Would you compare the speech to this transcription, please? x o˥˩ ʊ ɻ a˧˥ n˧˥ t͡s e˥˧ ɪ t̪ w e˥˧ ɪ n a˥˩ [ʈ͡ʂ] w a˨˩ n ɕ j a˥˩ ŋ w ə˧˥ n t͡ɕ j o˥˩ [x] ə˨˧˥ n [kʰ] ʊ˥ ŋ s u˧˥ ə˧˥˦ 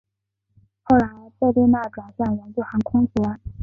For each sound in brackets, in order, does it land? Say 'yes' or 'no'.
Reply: yes, yes, yes

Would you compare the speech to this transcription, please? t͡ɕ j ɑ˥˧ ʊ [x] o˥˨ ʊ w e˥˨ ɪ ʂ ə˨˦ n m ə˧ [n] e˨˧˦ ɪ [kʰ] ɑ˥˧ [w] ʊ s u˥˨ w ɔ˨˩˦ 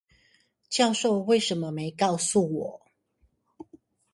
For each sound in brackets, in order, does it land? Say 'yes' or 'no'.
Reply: no, no, no, no

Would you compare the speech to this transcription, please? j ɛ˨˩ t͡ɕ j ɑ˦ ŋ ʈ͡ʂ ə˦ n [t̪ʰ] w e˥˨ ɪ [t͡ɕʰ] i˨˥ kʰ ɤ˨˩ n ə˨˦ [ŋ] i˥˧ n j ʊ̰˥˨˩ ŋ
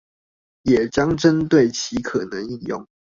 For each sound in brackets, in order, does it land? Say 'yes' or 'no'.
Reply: no, yes, yes

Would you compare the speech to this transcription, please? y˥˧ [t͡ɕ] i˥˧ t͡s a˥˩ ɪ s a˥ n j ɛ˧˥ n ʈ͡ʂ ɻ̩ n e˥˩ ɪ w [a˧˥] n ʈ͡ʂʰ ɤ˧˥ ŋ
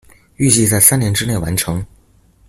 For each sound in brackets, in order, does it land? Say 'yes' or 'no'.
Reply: yes, yes

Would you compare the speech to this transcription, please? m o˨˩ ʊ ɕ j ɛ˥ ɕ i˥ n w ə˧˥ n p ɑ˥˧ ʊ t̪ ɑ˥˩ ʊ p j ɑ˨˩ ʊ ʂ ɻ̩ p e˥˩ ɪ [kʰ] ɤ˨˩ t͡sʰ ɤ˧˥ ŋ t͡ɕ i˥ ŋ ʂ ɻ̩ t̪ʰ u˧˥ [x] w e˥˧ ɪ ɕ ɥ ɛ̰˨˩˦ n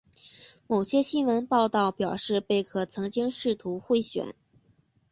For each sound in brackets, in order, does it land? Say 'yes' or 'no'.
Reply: yes, yes

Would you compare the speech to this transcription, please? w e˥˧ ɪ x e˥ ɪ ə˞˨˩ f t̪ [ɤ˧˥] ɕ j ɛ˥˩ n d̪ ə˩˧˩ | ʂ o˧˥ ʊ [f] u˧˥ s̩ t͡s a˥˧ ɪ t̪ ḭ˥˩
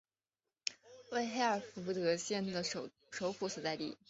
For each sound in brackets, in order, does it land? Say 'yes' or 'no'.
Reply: yes, yes

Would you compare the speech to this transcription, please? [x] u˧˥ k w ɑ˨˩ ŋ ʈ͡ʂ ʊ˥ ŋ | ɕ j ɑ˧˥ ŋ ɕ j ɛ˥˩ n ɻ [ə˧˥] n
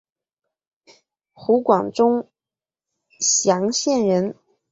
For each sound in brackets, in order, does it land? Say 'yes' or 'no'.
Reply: yes, yes

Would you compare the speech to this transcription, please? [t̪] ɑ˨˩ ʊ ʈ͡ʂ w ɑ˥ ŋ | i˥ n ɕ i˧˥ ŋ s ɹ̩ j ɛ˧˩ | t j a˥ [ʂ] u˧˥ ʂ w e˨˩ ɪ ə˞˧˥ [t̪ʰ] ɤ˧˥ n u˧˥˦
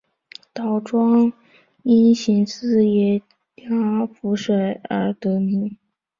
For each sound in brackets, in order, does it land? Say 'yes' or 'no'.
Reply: yes, no, no

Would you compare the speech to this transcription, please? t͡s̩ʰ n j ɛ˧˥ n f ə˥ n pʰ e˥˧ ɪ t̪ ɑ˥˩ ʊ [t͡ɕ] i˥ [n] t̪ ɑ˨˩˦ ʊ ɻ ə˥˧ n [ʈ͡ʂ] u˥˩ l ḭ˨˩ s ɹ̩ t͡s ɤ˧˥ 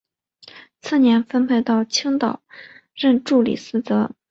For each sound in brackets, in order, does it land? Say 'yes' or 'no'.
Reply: no, no, yes

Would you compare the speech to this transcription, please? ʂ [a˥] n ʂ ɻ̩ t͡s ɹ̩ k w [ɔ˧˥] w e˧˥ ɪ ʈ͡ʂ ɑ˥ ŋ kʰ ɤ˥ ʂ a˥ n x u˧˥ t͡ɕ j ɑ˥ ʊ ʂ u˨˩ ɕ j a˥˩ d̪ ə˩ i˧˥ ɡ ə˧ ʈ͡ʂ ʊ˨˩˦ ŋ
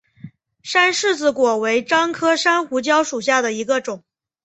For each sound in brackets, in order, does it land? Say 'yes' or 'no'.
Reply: yes, no

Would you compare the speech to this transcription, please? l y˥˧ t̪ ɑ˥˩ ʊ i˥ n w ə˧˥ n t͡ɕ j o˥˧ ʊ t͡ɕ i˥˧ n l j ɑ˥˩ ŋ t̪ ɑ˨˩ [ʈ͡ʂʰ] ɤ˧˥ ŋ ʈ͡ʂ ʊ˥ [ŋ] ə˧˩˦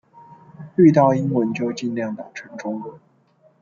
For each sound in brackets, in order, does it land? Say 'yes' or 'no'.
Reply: yes, yes

